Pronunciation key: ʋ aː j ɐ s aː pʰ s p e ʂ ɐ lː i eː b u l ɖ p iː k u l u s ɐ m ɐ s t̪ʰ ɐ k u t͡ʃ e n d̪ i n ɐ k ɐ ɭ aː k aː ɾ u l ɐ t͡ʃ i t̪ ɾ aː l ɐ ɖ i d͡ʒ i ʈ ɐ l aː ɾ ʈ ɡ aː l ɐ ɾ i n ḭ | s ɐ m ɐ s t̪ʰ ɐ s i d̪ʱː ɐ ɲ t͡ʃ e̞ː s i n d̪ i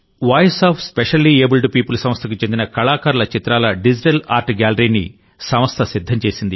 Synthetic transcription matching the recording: ʋ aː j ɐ s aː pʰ s p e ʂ ɐ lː i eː b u l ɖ p iː p u l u s ɐ m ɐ s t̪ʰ ɐ k u t͡ʃ e n d̪ i n ɐ k ɐ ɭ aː k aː ɾ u l ɐ t͡ʃ i t̪ ɾ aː l ɐ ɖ i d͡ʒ i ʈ ɐ l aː ɾ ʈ ɡ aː l ɐ ɾ i n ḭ | s ɐ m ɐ s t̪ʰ ɐ s i d̪ʱː ɐ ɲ t͡ʃ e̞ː s i n d̪ i